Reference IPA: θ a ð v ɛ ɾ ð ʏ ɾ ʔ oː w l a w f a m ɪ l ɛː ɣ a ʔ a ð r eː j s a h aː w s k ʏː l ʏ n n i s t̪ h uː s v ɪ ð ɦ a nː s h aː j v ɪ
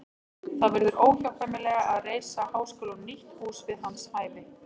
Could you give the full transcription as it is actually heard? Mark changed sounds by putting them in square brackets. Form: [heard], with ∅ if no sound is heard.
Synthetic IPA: θ a ð v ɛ ɾ ð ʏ ɾ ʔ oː w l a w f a m ɪ l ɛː ɣ a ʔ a ð r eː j s a h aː w s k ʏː l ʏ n n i [h] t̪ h uː s v ɪ ð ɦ a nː s h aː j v ɪ